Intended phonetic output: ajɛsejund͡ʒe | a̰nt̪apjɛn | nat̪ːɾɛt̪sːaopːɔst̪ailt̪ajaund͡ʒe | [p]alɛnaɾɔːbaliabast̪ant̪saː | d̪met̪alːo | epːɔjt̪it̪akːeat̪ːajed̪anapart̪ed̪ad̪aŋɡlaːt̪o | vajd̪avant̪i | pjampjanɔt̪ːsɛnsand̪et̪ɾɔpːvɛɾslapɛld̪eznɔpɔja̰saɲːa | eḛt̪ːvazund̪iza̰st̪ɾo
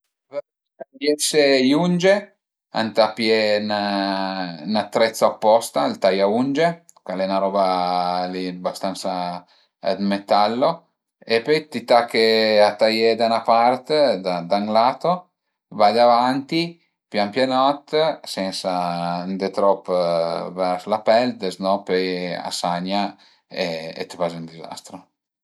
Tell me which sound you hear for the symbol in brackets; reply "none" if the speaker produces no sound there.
k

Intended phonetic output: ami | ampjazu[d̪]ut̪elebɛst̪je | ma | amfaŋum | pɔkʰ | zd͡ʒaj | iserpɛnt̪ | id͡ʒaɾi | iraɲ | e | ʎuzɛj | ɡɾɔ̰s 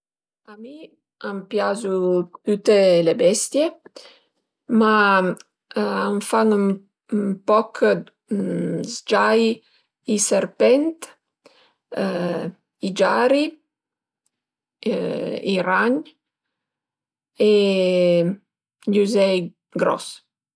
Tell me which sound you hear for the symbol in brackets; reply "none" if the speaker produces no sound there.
t̪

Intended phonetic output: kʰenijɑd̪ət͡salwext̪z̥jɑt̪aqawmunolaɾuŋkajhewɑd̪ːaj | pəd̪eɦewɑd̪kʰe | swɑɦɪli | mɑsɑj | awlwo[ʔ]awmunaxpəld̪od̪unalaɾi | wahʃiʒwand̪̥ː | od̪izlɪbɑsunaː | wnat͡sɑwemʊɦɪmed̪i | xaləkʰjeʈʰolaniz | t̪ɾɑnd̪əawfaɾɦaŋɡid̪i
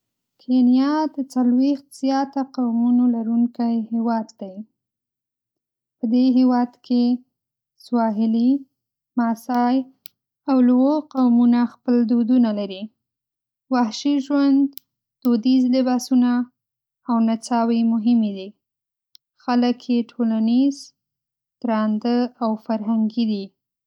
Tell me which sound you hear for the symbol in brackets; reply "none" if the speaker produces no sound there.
q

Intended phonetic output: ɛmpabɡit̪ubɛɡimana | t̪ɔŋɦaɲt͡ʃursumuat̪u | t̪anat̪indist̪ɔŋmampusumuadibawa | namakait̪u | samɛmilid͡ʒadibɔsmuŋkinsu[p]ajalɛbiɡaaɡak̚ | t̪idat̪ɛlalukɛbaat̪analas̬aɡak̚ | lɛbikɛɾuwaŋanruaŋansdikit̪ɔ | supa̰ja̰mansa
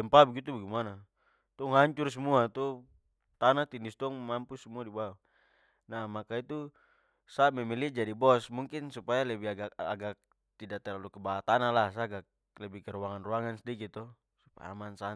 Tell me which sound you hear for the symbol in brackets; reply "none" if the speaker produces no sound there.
p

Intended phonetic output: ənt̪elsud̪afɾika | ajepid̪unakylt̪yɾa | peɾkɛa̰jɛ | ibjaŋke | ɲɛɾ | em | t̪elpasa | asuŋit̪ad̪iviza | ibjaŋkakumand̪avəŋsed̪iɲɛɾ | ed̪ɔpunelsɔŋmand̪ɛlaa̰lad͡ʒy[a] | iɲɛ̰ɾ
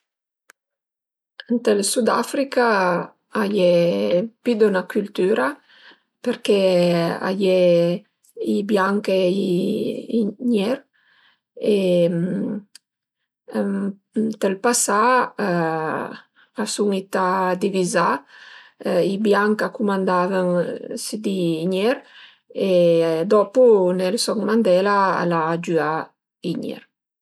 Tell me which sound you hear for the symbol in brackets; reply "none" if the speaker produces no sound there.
a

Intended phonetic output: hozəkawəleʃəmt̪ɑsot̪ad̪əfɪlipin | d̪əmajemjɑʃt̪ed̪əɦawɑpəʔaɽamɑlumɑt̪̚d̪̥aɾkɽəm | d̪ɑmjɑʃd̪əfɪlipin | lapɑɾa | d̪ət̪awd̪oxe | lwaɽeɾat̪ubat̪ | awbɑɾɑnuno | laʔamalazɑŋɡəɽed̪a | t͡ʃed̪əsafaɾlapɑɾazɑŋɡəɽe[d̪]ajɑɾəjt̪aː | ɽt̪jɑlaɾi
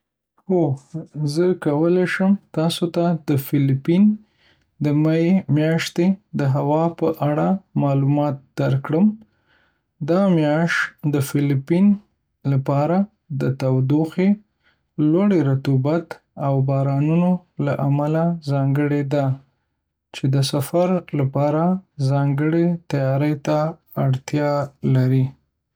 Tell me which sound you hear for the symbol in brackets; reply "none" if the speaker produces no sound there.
t̪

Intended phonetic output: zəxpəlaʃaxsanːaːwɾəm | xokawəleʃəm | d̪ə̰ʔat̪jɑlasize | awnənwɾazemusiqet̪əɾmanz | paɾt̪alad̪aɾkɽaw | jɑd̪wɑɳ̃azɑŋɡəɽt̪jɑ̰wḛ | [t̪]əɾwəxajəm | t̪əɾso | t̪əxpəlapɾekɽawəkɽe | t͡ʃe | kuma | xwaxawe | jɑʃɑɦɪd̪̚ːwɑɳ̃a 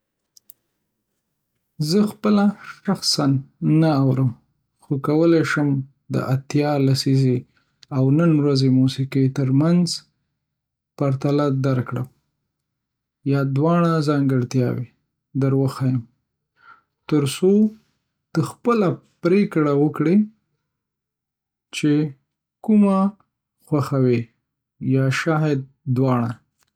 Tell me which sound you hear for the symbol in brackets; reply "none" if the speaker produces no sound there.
d̪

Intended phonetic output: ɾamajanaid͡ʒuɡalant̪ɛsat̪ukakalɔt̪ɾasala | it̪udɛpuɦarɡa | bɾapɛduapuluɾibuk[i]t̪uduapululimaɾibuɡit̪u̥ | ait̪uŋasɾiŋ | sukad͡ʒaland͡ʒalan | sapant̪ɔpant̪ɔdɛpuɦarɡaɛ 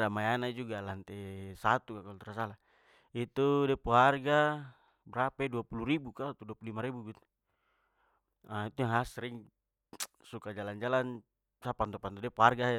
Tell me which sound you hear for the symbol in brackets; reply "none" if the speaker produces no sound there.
a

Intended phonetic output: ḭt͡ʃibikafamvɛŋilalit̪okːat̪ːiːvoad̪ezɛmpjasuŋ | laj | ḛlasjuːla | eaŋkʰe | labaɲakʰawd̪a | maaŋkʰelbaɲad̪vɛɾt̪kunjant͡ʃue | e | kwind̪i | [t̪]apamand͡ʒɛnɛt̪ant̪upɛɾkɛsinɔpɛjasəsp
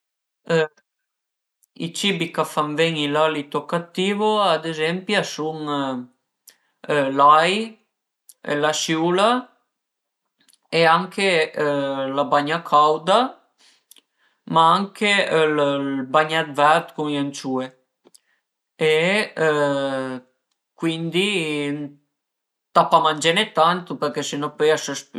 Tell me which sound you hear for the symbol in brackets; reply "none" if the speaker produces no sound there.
t̪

